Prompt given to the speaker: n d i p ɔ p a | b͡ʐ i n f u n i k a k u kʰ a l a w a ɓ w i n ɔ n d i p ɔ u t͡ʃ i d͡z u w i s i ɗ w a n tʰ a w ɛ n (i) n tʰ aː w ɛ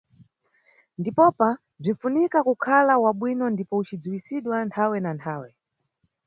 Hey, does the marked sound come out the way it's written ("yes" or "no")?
no